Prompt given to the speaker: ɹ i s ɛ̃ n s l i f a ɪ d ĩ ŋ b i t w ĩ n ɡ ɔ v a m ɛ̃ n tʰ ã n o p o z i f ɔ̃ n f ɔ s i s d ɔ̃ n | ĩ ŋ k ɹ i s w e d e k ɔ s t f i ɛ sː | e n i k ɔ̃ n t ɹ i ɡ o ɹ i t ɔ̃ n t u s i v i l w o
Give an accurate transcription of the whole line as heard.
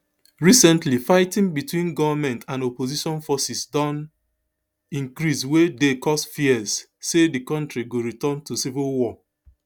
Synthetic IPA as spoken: ɹ i s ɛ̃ n t l i f a ɪ t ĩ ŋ b i t w ĩ n ɡ ɔ v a m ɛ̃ n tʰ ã n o p o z i ʃ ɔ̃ n f ɔ s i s d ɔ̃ n | ĩ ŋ k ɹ i s w e d e k ɔ s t f i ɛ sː | e d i k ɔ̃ n t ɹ i ɡ o ɹ i t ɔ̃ n t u s i v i l w ɔ